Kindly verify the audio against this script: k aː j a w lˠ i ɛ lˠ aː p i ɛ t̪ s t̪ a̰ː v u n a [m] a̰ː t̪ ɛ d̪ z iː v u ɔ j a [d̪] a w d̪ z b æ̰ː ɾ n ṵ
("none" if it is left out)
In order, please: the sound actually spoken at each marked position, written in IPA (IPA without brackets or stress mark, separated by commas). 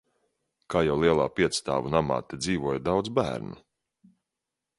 m, d̪